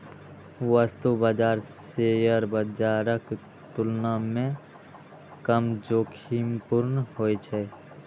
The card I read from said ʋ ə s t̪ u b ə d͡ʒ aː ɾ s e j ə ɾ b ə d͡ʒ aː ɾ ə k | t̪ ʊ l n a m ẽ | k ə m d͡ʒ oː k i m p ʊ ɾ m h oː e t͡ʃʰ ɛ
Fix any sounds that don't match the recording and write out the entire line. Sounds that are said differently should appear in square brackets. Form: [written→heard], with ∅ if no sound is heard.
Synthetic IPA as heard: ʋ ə s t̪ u b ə d͡ʒ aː ɾ s e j ə ɾ b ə d͡ʒ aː ɾ ə k | t̪ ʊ l n a m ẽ | k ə m d͡ʒ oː [k→kʰ] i m p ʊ ɾ [m→n] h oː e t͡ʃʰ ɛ